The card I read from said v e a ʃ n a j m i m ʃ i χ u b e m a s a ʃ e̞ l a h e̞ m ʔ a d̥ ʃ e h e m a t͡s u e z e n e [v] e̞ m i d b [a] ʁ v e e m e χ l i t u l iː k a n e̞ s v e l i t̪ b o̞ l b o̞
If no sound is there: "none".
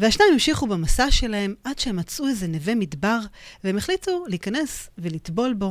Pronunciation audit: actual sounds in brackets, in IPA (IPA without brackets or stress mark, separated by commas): v, a